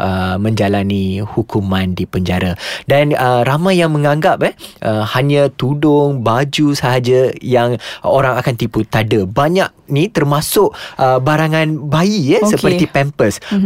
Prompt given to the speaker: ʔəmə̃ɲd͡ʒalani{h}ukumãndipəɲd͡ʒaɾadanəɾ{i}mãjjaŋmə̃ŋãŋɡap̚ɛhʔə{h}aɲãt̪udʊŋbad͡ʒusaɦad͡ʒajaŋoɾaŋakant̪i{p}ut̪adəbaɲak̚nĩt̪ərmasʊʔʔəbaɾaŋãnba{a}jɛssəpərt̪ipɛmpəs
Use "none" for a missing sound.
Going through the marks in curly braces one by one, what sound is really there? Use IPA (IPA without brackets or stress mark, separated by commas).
h, a, h, p, i